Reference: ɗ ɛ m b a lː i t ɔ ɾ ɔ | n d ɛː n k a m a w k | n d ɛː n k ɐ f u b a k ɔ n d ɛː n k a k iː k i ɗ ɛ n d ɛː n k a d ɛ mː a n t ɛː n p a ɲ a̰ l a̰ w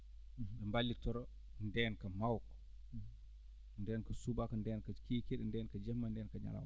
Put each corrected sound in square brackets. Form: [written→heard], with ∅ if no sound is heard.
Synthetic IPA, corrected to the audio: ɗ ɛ m b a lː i t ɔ ɾ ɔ | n d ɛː n k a m a w k | n d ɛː n k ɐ [f→s] u b a k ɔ n d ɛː n k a k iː k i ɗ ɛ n d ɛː n k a [d→d͡ʒ] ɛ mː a n [t→d] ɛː n [p→k] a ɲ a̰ l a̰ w